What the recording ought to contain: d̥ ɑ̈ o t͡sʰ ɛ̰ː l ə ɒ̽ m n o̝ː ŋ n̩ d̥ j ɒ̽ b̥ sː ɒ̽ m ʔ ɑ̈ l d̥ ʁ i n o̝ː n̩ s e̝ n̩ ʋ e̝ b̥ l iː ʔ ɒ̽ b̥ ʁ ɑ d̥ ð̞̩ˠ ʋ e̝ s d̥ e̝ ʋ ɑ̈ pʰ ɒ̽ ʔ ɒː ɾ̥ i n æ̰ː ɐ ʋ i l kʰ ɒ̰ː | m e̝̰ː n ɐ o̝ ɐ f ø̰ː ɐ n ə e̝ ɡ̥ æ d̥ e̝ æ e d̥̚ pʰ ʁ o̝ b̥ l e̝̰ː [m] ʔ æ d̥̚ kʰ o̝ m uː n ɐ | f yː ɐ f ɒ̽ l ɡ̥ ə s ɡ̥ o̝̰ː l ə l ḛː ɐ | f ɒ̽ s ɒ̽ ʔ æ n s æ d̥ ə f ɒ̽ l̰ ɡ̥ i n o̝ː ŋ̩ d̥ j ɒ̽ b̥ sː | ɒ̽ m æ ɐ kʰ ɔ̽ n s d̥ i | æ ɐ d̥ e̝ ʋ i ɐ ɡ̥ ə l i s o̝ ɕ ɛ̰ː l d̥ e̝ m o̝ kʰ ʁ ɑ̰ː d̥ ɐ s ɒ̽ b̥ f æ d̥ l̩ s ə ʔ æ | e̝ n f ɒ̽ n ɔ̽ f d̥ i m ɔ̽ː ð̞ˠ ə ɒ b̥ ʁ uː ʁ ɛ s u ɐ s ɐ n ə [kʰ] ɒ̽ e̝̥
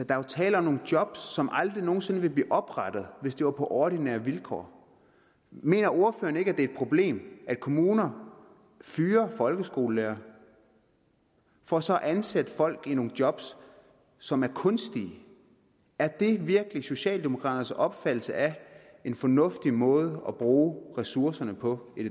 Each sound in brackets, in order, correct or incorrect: correct, incorrect

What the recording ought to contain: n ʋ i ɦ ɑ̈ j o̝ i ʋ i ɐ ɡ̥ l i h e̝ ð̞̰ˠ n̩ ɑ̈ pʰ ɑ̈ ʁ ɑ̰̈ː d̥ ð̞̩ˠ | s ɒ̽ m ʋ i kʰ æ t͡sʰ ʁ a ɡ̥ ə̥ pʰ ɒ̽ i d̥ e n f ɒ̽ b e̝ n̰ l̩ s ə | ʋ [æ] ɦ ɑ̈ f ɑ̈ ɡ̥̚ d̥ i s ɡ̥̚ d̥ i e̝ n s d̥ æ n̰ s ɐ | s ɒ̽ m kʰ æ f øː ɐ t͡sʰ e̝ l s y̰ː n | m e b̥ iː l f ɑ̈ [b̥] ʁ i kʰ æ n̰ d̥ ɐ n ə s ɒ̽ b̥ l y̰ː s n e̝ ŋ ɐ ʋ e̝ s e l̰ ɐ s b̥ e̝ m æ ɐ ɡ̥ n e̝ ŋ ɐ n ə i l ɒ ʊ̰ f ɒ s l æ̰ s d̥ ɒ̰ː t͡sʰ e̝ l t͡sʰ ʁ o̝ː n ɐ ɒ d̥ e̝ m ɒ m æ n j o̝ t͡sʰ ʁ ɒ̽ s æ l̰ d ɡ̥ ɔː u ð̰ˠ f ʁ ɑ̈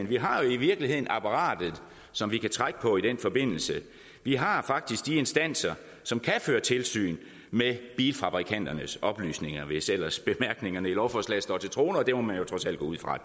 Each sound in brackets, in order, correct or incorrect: incorrect, correct

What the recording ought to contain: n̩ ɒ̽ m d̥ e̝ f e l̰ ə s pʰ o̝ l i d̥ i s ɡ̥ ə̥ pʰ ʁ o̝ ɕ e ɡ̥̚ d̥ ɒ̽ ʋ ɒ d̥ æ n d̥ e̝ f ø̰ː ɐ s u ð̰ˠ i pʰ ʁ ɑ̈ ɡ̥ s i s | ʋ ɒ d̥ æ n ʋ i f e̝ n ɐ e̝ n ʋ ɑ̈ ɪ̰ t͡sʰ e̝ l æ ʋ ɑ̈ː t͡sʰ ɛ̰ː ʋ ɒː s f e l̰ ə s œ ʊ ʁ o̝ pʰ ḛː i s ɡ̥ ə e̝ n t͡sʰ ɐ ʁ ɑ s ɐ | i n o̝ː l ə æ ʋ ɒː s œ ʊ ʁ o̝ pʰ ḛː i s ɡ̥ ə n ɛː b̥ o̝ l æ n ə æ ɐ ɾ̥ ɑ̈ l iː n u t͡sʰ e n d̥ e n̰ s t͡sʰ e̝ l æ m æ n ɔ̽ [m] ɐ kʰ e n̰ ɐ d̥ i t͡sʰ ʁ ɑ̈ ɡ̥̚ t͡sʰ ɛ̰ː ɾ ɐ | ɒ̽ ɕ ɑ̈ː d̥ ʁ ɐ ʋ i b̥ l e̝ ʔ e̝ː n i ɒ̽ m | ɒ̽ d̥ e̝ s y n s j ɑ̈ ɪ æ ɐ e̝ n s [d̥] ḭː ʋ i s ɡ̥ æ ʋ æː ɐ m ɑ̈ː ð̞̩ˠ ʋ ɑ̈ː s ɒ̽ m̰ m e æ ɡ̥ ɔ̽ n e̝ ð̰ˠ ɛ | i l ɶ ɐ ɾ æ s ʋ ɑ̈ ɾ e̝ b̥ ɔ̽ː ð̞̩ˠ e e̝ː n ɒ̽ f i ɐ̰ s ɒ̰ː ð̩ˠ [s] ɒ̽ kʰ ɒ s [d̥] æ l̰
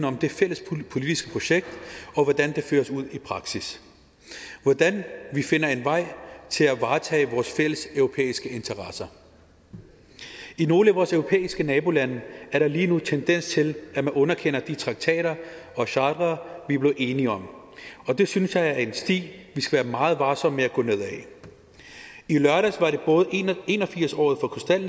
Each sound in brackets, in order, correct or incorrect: incorrect, correct, incorrect, correct

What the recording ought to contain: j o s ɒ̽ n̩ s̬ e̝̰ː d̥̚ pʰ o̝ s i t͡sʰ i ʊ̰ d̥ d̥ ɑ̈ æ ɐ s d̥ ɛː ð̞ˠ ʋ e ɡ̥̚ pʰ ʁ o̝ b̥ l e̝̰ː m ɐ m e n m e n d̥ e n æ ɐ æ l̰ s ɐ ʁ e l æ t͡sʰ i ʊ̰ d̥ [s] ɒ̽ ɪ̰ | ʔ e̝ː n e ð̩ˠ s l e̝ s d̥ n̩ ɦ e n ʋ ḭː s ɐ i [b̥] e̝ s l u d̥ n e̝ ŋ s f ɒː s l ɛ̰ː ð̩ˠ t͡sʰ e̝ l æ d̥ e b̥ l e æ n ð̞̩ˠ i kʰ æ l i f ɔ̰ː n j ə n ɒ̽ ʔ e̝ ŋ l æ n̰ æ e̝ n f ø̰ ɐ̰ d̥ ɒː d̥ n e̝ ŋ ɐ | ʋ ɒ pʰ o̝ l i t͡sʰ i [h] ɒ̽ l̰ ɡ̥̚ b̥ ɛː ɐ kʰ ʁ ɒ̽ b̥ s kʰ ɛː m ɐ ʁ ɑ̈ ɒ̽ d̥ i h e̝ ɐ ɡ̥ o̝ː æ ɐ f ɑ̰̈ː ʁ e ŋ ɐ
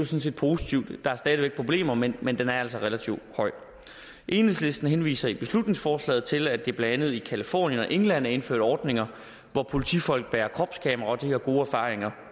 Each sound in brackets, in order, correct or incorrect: incorrect, correct, incorrect

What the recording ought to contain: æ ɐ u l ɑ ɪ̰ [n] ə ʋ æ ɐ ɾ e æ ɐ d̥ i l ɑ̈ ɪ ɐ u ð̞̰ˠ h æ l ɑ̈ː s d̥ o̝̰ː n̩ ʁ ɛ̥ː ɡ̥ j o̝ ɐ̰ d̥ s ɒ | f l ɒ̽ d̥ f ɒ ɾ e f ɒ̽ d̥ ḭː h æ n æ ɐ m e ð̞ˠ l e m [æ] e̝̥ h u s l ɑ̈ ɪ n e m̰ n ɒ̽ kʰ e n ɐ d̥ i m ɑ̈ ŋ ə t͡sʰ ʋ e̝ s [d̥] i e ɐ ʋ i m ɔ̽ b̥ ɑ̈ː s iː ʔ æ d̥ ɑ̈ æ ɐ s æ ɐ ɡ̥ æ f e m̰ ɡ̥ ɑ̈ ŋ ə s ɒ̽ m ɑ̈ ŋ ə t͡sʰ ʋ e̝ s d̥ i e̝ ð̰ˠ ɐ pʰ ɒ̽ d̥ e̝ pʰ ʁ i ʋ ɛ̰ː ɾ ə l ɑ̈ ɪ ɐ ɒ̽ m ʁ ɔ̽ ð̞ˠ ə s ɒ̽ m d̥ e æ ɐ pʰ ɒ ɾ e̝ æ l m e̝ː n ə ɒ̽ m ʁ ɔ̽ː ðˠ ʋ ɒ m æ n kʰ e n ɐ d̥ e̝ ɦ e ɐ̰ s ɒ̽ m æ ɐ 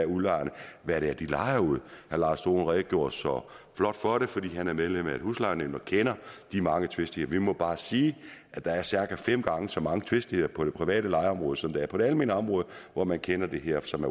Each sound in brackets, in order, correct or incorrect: correct, correct, correct

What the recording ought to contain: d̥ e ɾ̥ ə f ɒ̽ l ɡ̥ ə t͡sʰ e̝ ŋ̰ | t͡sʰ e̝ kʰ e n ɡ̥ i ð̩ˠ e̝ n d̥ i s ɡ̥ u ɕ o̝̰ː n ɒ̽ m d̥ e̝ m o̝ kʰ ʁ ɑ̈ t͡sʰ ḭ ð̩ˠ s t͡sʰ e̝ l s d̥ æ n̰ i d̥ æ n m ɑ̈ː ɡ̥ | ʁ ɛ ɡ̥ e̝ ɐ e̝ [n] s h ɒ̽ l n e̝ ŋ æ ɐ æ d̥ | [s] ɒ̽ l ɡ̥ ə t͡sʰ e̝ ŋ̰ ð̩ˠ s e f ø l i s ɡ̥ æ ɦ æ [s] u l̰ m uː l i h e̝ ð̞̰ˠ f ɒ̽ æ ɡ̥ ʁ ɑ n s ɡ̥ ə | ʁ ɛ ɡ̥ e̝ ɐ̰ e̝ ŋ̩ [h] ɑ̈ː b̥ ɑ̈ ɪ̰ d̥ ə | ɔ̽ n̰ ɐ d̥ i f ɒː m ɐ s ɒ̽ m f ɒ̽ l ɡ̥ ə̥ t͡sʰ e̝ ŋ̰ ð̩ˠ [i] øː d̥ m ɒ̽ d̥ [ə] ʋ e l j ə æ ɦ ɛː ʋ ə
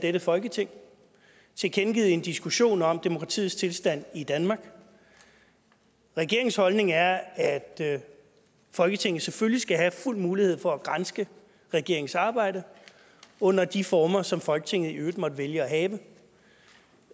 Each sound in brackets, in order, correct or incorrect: incorrect, incorrect, incorrect, incorrect, correct, correct

